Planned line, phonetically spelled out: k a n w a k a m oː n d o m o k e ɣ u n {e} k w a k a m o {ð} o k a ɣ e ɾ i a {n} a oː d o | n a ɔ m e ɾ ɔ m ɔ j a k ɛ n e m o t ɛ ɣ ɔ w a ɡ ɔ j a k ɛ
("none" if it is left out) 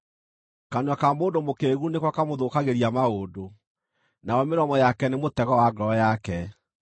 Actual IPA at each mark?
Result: e, ð, m

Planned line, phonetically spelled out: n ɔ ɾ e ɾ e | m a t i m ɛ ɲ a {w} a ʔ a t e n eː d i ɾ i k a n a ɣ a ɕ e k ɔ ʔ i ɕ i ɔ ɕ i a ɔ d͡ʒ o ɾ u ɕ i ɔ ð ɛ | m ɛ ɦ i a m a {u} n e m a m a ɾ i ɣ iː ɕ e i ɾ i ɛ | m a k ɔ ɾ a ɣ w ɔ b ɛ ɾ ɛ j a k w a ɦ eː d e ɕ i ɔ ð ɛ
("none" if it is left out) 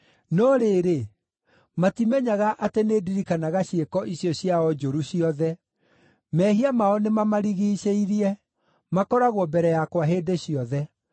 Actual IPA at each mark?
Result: ɣ, ɔ

